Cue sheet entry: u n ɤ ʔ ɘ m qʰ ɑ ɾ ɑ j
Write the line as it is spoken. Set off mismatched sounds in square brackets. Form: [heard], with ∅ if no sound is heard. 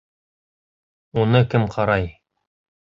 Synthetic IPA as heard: u n ɤ [k] ɘ m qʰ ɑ ɾ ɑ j